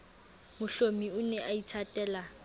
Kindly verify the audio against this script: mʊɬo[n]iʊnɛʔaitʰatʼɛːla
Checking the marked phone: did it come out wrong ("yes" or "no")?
yes